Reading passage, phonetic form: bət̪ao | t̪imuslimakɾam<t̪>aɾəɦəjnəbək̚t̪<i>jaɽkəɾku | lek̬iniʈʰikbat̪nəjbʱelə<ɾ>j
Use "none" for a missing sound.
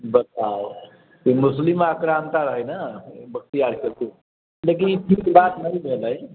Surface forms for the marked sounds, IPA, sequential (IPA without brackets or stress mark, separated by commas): t̪, i, none